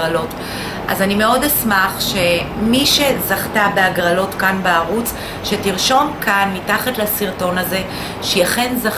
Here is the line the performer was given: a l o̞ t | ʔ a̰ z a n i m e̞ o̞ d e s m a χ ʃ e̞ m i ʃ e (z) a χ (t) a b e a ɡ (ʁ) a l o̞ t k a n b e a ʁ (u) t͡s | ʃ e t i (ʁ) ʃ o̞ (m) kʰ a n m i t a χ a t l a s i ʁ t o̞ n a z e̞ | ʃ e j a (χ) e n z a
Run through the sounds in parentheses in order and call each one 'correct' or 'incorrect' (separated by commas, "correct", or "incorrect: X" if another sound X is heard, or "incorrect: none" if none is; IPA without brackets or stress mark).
correct, correct, correct, correct, correct, correct, correct